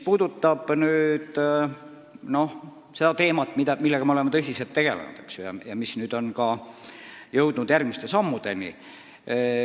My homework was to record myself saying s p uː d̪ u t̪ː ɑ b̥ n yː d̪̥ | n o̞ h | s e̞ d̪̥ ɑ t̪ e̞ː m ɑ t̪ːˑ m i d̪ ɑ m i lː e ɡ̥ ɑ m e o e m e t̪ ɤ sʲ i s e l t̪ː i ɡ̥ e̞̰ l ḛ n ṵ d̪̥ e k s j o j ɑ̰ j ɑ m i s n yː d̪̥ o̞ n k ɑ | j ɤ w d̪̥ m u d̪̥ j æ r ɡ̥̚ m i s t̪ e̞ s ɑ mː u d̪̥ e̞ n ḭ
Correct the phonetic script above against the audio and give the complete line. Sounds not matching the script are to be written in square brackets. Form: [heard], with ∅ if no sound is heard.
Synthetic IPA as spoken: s p uː d̪ u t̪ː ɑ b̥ n yː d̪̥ | n o̞ h | s e̞ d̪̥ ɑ t̪ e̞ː m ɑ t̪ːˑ m i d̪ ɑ m i lː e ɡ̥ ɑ m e o e m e t̪ ɤ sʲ i s e l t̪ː [e] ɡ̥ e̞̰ l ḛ n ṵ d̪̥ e k s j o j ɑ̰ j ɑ m i s n yː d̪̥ o̞ n k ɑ | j ɤ w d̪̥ [n] u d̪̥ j æ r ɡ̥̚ m i s t̪ e̞ s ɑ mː u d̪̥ e̞ n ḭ

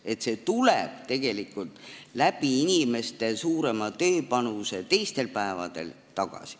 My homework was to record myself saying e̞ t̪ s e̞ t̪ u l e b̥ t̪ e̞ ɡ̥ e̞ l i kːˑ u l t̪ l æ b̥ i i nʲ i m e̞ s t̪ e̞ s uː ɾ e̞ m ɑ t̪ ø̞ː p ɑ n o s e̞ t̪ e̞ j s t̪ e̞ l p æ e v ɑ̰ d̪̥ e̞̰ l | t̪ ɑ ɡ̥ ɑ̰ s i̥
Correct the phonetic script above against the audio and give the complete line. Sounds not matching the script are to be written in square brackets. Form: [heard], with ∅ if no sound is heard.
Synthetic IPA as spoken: e̞ t̪ s e̞ t̪ u l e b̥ t̪ e̞ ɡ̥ e̞ l i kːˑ u l t̪ l æ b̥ i i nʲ i m e̞ s t̪ e̞ s uː ɾ e̞ m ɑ t̪ ø̞ː p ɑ n [u] s e̞ t̪ e̞ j s t̪ e̞ l p æ e v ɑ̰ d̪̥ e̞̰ l | t̪ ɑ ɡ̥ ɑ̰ s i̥

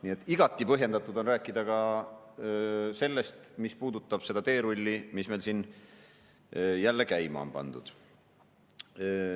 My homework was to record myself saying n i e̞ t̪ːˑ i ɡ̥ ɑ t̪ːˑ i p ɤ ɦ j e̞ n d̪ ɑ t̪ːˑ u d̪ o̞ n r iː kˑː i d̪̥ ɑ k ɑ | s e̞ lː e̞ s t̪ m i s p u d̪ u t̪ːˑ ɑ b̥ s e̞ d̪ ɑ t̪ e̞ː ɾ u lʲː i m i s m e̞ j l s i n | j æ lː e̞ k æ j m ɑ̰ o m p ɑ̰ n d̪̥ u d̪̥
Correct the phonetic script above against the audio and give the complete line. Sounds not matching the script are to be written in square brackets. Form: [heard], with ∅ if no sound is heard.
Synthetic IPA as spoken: n i e̞ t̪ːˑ i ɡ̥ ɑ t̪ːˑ i p ɤ ɦ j e̞ n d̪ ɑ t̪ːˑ u d̪ o̞ n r [æː] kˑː i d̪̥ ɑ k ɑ | s e̞ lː e̞ s t̪ m i s p [uː] d̪ u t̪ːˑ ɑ b̥ s e̞ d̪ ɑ t̪ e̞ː ɾ u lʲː i m i s m e̞ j l s i n | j æ lː e̞ k æ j m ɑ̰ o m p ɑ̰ n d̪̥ u d̪̥

